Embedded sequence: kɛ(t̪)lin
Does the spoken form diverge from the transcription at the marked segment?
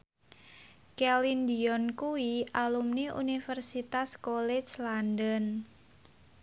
yes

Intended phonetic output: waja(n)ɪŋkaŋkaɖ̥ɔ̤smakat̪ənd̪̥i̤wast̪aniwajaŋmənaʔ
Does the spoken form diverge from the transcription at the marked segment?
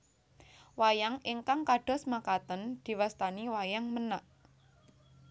yes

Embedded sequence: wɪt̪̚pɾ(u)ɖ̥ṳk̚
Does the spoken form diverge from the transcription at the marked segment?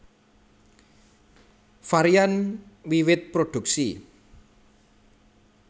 yes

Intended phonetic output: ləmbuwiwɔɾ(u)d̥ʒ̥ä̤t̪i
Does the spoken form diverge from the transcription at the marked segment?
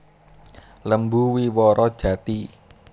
yes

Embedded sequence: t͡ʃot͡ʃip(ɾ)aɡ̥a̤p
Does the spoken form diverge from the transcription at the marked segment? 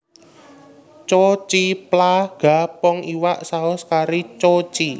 yes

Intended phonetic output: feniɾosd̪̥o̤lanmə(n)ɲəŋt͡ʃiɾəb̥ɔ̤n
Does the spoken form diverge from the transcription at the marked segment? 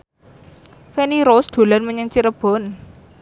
yes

